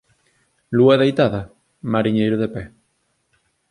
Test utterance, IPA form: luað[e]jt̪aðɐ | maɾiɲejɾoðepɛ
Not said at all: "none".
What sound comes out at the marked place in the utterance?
e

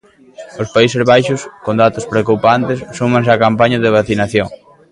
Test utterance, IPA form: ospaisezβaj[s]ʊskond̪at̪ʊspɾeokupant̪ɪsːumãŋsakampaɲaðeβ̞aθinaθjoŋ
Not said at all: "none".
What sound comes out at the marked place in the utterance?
ʃ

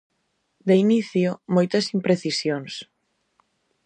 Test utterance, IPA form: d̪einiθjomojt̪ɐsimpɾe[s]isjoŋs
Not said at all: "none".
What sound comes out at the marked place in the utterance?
θ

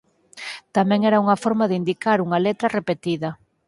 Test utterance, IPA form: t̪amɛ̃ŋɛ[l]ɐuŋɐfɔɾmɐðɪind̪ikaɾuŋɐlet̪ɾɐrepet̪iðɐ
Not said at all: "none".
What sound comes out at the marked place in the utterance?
ɾ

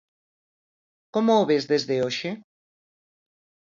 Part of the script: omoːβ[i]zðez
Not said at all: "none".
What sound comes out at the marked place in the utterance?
e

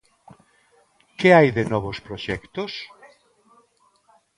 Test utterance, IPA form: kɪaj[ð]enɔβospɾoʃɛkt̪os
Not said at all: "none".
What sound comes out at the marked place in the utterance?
ð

